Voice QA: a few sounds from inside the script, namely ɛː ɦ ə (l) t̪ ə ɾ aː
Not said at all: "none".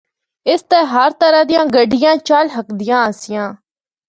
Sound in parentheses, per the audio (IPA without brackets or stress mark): ɾ